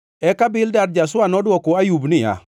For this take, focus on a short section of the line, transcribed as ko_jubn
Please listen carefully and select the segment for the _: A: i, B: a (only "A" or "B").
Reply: B